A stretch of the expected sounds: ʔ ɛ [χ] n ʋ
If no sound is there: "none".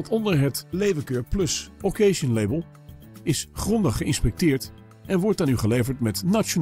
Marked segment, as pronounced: none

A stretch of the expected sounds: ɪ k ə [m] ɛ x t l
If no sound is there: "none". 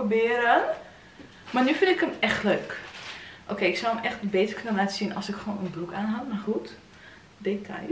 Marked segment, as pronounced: m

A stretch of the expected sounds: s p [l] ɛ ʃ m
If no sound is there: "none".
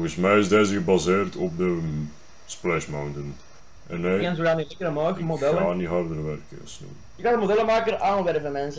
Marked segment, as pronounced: l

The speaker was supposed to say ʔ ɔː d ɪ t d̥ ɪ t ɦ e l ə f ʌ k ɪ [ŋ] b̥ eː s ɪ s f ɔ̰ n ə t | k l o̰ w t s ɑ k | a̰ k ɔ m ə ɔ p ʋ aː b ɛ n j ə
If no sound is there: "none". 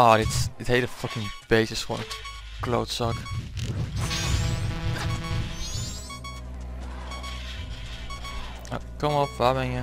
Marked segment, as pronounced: ŋ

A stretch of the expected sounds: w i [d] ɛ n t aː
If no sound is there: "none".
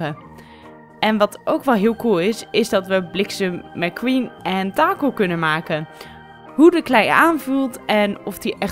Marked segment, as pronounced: n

